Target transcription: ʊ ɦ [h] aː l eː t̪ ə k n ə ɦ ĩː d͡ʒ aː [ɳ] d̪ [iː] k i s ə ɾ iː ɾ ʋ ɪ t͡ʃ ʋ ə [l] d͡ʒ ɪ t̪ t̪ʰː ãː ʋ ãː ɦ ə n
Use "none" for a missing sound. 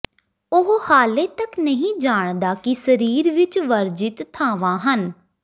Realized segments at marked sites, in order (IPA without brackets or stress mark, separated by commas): h, ɳ, aː, ɾ